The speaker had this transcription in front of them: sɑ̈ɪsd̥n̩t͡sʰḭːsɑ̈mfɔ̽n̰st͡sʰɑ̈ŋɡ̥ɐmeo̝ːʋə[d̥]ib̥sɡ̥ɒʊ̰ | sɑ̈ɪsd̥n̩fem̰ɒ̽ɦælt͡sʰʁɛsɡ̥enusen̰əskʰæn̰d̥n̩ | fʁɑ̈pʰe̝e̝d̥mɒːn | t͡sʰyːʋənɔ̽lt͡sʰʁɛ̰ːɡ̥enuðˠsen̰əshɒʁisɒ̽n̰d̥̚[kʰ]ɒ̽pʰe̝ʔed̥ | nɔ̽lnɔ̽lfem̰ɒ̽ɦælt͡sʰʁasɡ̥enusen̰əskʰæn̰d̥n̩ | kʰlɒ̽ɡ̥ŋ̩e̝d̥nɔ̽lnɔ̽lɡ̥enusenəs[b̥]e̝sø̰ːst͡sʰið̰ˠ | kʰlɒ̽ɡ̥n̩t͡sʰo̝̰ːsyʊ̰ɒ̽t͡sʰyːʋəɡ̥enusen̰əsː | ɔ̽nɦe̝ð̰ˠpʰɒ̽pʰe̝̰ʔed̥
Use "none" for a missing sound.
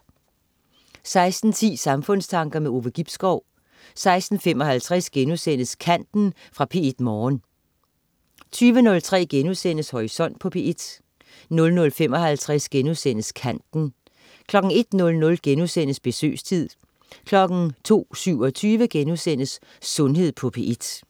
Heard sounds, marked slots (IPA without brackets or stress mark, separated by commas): ɡ̥, pʰ, b̥